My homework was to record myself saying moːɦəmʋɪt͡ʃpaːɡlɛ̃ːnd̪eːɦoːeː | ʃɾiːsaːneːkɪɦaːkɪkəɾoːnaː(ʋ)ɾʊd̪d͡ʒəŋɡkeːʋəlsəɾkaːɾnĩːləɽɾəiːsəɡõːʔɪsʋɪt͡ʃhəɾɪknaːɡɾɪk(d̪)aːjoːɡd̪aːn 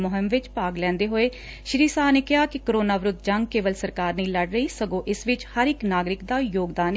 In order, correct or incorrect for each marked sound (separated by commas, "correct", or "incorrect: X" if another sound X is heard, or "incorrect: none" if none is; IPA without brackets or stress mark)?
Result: correct, correct